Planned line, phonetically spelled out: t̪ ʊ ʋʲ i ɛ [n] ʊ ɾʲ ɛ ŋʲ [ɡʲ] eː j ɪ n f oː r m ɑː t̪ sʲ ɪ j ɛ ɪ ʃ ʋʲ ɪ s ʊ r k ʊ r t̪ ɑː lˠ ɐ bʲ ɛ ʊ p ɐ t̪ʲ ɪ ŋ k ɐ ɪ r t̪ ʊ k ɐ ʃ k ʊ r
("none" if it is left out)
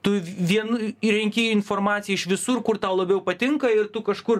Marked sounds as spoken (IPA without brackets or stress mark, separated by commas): n, kʲ